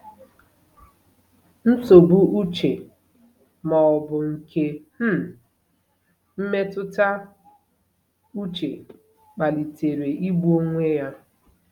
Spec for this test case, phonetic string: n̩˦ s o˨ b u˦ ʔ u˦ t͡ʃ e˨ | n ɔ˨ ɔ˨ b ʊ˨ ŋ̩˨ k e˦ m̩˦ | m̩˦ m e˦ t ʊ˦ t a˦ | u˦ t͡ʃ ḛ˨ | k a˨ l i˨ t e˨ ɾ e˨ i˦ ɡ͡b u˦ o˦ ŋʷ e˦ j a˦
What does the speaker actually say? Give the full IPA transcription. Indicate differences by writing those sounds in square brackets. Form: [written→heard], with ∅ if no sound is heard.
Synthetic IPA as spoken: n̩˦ s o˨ b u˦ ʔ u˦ t͡ʃ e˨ | [n→m] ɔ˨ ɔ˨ b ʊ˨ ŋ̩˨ k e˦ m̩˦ | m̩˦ m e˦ t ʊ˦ t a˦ | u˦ t͡ʃ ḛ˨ | [k→k͡p] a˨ l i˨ t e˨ ɾ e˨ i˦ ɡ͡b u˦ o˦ ŋʷ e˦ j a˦